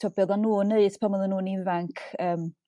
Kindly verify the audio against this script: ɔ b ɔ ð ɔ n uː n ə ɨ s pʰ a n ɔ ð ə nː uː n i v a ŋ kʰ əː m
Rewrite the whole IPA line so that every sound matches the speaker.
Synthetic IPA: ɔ b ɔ ð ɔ n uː n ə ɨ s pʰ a m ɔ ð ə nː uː n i v a ŋ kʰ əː m

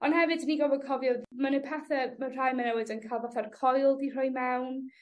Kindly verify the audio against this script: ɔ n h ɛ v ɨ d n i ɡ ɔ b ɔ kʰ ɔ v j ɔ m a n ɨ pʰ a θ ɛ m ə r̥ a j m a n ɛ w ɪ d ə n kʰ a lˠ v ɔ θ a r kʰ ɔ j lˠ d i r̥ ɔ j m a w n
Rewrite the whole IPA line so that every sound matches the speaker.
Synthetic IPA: ɔ n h ɛ v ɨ d n i ɡ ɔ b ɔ kʰ ɔ v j ɔ m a n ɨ pʰ a θ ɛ m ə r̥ a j m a n ɛ w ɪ d ə n kʰ a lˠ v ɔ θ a r kʰ ɔ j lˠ d i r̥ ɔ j m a w n

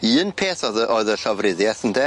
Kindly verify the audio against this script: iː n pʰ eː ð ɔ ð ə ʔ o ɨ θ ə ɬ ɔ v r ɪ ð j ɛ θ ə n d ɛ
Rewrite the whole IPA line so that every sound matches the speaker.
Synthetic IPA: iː n pʰ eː θ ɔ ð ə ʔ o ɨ ð ə ɬ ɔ v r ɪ ð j ɛ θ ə n d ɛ

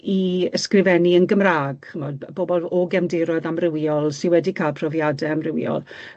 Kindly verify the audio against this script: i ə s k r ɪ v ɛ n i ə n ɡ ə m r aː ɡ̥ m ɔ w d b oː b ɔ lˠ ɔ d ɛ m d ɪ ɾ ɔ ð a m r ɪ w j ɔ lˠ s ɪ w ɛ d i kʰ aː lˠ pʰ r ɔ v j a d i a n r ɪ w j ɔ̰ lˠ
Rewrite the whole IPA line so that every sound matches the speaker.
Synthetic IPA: i ə s k r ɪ v ɛ n i ə n ɡ ə m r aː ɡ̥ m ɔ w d b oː b ɔ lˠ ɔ ɡ ɛ m d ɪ ɾ ɔ ð a m r ɪ w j ɔ lˠ s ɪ w ɛ d i kʰ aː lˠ pʰ r ɔ v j a d ɛ a m r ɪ w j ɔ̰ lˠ

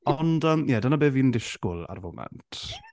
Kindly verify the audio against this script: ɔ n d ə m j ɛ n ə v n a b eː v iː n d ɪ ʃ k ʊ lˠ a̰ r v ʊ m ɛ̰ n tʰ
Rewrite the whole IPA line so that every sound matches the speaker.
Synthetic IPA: ɔ n d ə m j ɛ d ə n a b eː v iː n d ɪ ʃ k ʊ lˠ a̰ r v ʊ m ɛ̰ n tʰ

